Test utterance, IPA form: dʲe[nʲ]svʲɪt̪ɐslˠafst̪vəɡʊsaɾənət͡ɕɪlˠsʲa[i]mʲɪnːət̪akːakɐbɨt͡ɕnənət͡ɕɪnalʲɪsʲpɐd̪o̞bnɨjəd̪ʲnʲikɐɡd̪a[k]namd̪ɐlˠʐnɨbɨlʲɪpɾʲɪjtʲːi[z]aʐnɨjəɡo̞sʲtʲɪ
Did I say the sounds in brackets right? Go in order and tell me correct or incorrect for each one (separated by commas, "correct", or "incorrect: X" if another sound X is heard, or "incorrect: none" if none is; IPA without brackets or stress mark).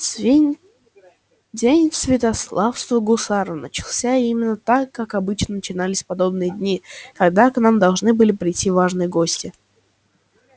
correct, correct, correct, incorrect: v